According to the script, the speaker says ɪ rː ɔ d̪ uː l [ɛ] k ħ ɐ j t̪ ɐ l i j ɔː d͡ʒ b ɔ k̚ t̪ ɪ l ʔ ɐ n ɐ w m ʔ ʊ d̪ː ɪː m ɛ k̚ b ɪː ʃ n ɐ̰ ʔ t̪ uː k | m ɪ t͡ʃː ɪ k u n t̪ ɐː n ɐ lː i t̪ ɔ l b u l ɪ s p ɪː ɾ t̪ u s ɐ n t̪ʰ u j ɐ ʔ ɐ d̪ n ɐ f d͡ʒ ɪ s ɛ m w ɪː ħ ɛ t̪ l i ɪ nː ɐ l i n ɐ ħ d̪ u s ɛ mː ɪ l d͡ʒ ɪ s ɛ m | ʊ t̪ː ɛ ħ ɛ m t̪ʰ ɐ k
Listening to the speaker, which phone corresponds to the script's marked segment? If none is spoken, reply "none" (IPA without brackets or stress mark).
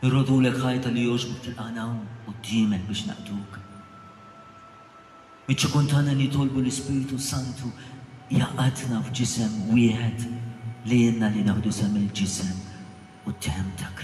ɛ